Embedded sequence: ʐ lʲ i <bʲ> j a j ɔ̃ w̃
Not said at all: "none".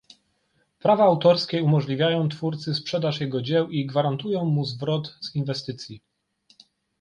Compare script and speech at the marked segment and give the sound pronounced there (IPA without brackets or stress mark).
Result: vʲ